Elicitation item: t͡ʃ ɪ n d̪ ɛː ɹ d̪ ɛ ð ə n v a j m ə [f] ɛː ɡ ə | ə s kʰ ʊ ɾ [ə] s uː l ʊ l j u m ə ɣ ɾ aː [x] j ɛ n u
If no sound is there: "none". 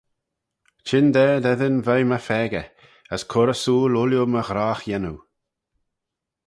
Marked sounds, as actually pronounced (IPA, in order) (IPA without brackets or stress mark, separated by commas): f, ə, x